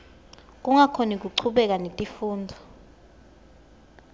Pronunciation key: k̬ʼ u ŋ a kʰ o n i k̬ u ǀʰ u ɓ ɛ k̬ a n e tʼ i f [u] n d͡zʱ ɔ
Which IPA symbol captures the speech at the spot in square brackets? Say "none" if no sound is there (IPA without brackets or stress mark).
uː